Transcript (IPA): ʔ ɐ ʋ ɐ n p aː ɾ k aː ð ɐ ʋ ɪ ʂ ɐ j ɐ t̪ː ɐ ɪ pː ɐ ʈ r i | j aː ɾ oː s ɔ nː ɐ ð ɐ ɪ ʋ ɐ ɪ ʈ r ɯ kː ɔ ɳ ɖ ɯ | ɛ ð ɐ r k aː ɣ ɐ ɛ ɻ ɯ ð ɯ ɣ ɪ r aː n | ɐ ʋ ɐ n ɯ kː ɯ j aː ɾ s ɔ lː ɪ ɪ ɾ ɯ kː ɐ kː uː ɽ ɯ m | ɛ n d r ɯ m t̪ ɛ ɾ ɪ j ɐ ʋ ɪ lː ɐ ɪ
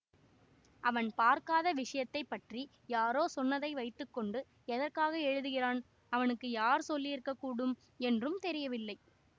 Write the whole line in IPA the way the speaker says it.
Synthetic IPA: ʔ ɐ ʋ ɐ n p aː ɾ k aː ð ɐ ʋ ɪ ʂ ɐ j ɐ t̪ː ɐ ɪ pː ɐ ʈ r i | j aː ɾ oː s ɔ nː ɐ ð ɐ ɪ ʋ ɐ ɪ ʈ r ɯ kː ɔ ɳ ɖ ɯ | ɛ ð ɐ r k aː ɣ ɐ ɛ ɻ ɯ ð ɯ ɣ ɪ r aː n | ɐ ʋ ɐ n ɯ kː ɯ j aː ɾ s ɔ lː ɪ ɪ ɾ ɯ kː ɐ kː uː ɽ ɯ m | ɛ n d r ɯ m t̪ ɛ ɾ ɪ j ɐ ʋ ɪ lː ɐ ɪ